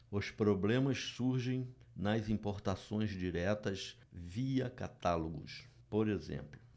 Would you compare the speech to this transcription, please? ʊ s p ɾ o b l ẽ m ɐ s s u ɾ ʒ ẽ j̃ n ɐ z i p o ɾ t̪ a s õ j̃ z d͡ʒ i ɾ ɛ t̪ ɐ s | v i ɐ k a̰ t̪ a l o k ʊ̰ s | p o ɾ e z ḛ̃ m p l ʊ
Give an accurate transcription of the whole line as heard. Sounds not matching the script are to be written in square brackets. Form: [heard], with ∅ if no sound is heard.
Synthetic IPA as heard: ʊ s p ɾ o b l ẽ m ɐ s s u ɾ ʒ ẽ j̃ n ɐ z [ĩ] p o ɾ t̪ a s õ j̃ z d͡ʒ i ɾ ɛ t̪ ɐ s | v i ɐ k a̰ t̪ a l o [ɡ] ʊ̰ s | p o ɾ e z ḛ̃ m p l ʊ